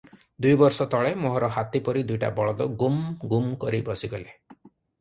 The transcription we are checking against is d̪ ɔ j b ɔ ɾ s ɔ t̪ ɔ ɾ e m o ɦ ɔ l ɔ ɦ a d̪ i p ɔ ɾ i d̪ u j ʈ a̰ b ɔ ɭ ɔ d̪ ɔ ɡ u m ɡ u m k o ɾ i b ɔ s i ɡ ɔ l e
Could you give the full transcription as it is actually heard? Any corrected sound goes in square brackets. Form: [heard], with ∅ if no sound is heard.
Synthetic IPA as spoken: d̪ [u] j b ɔ ɾ s ɔ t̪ ɔ [ɭ] e m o ɦ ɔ [ɾ] ɔ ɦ a [t̪] i p ɔ ɾ i d̪ u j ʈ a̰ b ɔ ɭ ɔ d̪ ɔ ɡ u m ɡ u m k [ɔ] ɾ i b ɔ s i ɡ ɔ l e